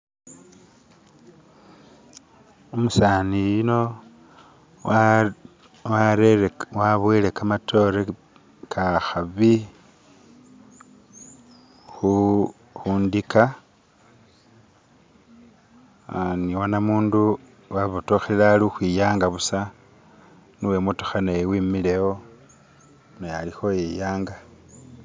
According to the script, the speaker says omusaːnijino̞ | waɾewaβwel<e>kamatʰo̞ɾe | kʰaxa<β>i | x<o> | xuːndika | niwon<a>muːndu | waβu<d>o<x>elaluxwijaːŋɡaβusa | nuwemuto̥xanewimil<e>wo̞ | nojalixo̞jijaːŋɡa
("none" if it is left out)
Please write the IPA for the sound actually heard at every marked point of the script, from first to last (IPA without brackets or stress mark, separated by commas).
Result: e, β, u, a, t, x, e